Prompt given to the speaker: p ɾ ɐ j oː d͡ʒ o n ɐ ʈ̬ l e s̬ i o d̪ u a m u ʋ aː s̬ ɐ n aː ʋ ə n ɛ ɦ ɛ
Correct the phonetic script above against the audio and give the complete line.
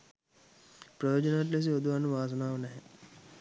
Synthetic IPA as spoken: p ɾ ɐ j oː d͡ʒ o n a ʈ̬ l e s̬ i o d̪ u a n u ʋ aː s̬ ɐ n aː ʋ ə n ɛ ɦ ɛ